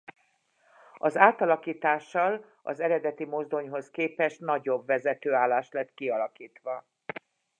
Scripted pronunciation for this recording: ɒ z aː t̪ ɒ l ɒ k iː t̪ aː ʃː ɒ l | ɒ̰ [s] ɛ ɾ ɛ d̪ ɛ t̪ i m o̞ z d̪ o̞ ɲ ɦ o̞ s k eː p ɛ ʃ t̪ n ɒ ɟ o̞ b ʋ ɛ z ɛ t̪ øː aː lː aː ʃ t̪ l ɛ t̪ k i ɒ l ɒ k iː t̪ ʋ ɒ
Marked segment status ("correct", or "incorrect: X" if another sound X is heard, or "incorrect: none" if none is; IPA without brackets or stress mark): incorrect: z